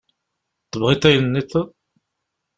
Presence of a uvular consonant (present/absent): present